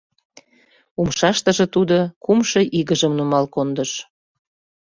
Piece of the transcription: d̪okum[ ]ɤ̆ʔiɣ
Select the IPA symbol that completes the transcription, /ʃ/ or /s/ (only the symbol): ʃ